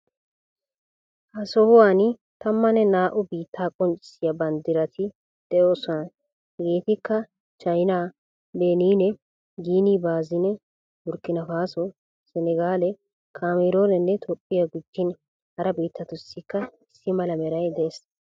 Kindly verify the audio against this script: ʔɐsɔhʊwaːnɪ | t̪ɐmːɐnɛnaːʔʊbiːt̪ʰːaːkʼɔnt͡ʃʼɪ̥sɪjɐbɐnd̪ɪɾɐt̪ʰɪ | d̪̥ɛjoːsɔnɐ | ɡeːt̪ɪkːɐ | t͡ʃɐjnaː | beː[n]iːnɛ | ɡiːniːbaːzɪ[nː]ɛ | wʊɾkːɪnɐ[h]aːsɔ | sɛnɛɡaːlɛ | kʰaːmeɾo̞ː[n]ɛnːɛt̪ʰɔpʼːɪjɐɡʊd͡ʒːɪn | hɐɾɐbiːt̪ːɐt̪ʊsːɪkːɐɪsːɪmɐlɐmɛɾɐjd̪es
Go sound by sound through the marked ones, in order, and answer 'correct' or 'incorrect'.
correct, incorrect: n, incorrect: f, correct

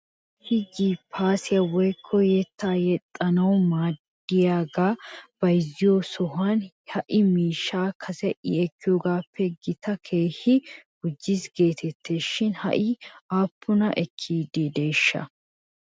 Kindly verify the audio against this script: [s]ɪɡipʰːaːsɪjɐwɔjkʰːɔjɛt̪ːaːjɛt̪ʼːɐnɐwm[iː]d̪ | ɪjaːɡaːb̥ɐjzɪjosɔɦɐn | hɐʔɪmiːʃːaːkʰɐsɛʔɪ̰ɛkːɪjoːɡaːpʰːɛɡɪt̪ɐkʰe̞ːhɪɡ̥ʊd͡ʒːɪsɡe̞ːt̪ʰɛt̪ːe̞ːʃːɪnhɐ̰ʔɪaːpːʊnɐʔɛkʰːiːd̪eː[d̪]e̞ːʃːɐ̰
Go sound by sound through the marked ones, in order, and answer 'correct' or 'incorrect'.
incorrect: h, incorrect: aː, correct

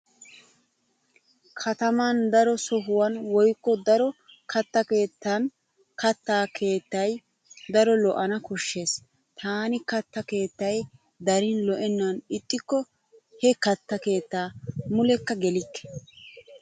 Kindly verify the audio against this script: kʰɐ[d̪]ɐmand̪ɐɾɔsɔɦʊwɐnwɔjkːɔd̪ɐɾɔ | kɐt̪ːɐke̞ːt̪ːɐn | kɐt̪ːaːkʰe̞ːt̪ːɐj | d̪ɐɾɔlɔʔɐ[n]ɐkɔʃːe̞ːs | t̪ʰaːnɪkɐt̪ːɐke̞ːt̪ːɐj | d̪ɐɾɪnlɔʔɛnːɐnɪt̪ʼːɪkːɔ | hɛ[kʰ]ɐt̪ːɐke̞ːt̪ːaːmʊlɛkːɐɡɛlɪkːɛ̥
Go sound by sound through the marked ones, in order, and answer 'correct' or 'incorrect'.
incorrect: t̪, correct, incorrect: k

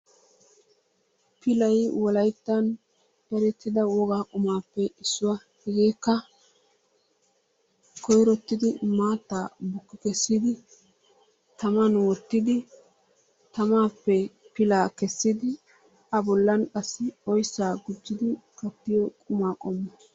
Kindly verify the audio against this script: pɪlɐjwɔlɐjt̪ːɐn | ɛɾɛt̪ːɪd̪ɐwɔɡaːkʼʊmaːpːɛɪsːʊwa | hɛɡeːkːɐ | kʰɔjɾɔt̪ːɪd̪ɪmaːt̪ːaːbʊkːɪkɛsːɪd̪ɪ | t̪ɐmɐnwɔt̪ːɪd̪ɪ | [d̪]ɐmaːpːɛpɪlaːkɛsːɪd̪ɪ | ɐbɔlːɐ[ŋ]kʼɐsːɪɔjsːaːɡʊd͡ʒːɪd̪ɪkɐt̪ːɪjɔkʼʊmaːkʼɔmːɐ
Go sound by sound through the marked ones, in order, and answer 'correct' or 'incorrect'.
incorrect: t̪, incorrect: n

